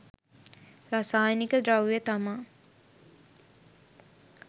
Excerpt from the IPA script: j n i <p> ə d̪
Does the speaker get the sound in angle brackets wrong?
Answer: yes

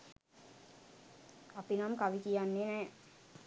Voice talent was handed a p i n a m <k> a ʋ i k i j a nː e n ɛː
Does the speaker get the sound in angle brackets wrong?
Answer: no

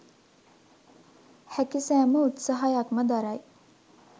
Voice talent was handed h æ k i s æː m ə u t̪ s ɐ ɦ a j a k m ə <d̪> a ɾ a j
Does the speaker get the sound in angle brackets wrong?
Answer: no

